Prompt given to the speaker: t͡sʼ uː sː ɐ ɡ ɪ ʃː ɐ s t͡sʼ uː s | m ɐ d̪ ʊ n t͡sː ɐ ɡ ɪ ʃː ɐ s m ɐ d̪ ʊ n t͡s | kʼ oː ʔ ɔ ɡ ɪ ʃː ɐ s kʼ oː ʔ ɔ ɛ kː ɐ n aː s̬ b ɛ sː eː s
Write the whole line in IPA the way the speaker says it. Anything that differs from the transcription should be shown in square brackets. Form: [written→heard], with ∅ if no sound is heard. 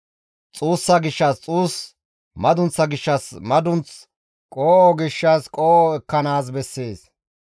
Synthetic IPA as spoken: t͡sʼ uː sː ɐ ɡ ɪ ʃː ɐ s t͡sʼ uː s | m ɐ d̪ ʊ n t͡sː ɐ ɡ ɪ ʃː ɐ s m ɐ d̪ ʊ n t͡s | kʼ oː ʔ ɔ ɡ ɪ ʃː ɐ s kʼ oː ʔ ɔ ɛ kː ɐ n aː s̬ b ɛ sː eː s